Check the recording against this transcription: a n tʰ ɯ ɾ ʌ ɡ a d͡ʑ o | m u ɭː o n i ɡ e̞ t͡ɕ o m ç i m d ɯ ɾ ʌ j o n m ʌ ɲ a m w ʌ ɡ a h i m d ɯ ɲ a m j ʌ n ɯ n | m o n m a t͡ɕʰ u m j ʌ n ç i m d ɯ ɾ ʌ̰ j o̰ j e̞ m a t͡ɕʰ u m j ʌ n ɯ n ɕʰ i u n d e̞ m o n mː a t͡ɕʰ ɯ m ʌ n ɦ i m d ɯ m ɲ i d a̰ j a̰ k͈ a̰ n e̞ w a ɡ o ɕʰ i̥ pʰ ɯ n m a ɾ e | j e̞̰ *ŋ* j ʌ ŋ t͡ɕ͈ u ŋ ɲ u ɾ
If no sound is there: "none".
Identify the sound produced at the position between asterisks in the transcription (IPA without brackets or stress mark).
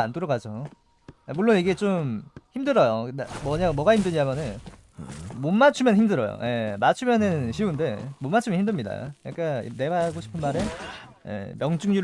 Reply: m